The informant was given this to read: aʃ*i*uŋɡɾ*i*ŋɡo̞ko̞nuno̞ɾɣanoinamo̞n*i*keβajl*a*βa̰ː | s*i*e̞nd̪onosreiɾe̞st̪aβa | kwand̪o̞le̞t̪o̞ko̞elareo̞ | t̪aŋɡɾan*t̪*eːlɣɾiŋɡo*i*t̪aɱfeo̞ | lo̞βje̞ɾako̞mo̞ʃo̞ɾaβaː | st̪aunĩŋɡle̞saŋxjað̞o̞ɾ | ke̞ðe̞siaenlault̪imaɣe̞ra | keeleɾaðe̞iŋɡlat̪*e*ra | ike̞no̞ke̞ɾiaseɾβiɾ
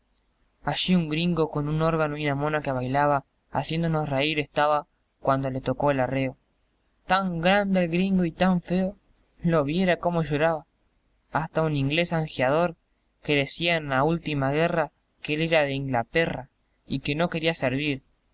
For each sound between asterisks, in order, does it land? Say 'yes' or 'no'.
yes, yes, no, yes, no, no, yes, yes

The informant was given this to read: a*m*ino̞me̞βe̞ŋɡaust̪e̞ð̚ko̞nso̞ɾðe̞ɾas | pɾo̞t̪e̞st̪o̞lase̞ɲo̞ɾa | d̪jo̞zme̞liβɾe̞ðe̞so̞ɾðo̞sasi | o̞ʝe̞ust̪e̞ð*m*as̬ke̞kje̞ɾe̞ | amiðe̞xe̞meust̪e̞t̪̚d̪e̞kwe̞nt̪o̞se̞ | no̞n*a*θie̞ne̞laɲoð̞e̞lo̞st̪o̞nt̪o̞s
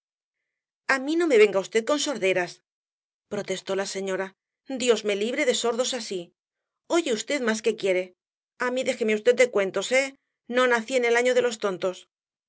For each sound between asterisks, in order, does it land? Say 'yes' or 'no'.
yes, yes, yes

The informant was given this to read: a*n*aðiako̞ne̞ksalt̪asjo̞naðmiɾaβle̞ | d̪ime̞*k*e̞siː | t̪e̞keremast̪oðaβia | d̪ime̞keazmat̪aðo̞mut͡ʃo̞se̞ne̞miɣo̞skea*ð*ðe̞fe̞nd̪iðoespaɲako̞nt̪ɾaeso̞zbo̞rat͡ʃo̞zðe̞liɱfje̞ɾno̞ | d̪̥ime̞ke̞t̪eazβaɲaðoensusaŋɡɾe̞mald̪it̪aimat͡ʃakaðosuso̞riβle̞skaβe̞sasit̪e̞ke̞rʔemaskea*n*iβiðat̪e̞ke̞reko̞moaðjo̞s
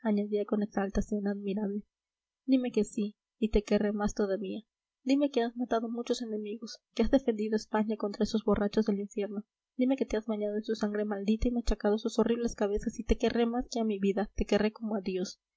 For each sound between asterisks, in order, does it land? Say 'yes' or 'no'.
no, yes, no, no

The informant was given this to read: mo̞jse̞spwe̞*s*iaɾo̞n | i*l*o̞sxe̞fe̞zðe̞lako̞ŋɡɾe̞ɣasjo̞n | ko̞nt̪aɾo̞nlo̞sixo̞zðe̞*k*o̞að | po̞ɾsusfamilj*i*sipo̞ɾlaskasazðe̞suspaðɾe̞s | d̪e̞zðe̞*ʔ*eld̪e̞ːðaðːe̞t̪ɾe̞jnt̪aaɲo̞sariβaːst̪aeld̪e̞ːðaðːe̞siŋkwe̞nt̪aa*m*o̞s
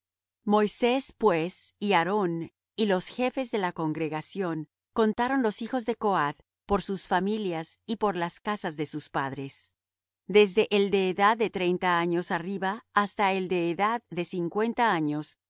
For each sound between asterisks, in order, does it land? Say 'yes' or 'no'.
yes, yes, yes, no, yes, no

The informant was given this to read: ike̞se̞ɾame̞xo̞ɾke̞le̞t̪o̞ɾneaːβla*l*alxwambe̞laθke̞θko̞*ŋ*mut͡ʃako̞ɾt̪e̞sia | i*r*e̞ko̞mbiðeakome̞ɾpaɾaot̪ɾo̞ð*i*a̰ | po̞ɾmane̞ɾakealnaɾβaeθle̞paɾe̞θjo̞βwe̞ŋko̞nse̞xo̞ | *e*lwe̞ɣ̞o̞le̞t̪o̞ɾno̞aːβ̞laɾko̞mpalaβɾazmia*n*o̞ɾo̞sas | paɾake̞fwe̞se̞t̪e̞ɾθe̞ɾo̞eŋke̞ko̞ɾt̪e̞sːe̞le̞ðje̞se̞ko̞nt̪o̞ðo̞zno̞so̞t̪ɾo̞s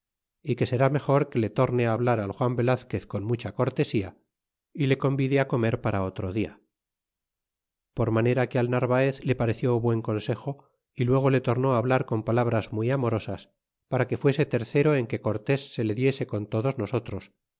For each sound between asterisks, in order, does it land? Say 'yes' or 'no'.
no, no, no, yes, no, no

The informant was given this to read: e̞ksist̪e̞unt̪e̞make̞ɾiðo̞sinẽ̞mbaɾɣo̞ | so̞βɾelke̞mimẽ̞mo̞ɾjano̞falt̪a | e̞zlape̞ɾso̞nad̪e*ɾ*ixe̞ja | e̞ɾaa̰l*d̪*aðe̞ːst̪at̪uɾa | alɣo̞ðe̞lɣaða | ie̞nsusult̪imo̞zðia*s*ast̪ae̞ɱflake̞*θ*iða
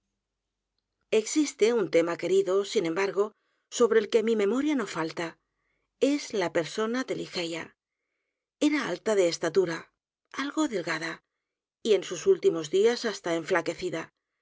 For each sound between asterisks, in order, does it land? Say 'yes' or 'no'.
no, no, yes, yes

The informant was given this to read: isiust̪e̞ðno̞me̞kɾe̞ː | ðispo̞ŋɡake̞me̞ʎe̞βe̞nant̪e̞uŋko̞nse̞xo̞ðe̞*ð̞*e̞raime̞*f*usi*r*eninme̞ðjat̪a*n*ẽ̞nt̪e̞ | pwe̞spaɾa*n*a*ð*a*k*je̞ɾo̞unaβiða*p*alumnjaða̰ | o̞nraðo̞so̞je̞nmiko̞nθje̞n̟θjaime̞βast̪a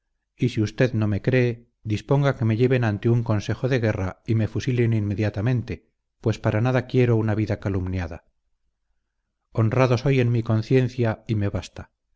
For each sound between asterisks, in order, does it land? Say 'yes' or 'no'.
no, yes, no, no, yes, yes, yes, no

